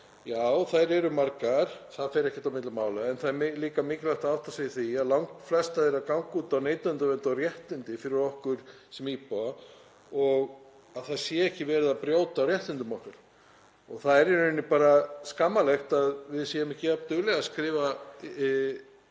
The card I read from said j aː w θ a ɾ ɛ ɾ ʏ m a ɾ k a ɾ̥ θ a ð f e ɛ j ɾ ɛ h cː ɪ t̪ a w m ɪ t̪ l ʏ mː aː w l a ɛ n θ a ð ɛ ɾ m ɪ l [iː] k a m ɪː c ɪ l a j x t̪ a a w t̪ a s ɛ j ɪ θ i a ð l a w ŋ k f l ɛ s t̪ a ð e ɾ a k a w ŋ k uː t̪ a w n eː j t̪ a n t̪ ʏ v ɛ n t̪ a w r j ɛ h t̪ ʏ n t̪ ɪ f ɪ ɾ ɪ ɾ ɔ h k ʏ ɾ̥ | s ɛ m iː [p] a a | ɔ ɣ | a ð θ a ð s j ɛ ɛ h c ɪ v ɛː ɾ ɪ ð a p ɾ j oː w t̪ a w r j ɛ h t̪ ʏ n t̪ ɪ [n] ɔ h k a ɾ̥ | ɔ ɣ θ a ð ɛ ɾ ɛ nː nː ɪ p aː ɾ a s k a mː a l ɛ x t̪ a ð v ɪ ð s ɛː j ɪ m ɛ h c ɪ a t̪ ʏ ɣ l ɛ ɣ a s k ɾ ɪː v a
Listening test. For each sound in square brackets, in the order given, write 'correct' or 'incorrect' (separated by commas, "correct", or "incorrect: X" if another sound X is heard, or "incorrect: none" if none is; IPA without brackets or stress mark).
correct, correct, incorrect: m